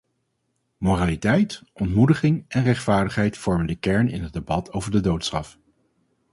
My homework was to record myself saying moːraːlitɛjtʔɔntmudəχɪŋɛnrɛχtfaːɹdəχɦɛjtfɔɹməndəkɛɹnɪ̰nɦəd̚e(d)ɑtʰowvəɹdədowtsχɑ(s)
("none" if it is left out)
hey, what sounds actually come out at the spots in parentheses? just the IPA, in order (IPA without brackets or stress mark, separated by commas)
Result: b, f